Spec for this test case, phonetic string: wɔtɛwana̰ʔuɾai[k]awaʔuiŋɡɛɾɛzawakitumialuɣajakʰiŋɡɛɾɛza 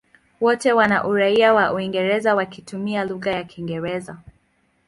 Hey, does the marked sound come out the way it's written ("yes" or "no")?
no